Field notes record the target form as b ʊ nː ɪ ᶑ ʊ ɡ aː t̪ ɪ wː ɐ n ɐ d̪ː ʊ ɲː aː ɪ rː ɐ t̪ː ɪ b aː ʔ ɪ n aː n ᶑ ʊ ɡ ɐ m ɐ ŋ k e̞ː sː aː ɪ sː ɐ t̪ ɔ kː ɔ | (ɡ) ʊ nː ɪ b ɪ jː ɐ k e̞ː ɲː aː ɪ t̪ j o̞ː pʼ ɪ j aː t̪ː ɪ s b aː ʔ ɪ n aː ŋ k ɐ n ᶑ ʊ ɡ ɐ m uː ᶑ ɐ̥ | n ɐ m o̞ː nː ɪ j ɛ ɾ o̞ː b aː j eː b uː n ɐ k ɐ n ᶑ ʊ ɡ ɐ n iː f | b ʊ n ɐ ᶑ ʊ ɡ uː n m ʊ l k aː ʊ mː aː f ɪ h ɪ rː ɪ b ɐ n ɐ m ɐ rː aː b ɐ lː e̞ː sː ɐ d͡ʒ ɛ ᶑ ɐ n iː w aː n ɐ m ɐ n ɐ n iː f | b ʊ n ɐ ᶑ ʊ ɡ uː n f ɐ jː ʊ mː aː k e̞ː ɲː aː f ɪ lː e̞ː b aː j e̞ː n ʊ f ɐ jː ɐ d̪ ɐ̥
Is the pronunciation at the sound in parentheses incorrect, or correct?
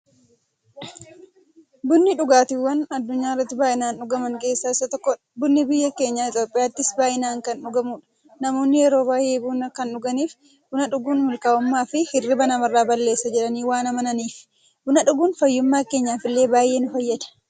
incorrect